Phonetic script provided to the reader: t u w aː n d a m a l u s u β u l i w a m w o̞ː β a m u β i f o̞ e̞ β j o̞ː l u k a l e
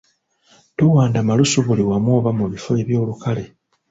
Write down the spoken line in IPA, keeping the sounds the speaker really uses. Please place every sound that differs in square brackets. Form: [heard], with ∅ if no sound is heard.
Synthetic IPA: t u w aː n d a m a l u s u β u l i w a m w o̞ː β a m u β i f o̞ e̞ β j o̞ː l u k a l e